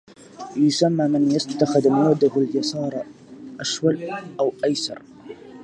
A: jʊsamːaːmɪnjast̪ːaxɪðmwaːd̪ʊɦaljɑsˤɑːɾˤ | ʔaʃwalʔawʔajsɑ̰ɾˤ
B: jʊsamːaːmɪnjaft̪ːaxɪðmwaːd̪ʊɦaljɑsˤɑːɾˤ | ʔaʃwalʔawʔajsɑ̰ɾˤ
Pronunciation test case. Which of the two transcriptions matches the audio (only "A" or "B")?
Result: A